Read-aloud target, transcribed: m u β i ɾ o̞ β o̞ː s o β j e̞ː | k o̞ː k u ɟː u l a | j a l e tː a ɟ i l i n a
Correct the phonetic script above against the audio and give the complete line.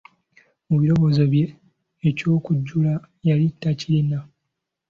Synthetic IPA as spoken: m u β i ɾ o̞ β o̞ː z o β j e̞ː | c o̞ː k u ɟː u l a | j a l i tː a c i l i n a